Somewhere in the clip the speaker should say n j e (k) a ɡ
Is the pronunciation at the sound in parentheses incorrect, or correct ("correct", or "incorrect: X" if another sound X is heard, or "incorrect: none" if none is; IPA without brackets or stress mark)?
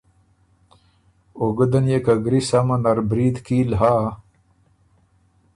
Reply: correct